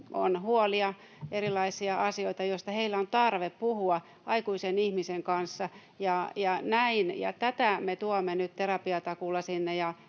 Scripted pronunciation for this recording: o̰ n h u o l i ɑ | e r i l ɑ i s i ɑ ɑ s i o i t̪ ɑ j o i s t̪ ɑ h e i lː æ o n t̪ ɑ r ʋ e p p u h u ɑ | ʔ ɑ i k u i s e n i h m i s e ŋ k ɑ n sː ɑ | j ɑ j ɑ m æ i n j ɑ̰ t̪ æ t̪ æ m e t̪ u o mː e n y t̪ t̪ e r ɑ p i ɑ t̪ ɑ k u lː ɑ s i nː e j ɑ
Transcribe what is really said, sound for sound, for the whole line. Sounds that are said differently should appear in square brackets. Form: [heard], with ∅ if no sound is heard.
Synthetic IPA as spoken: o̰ n h u o l i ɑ | e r i l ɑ i s i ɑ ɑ s i o i t̪ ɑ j o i s t̪ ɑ h e i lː æ o n t̪ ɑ r ʋ e p p u h u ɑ | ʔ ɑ i k u i s e n i h m i s e ŋ k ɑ n sː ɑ | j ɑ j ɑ [n] æ i n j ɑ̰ t̪ æ t̪ æ m e t̪ u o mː e n y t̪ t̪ e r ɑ p i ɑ t̪ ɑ k u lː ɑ s i nː e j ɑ